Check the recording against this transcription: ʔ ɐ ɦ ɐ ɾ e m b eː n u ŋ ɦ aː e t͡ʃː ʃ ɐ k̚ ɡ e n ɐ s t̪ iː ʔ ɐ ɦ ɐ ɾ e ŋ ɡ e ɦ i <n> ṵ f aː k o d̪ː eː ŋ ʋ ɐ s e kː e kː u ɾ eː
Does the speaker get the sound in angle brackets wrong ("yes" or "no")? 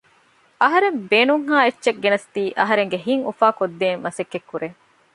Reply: yes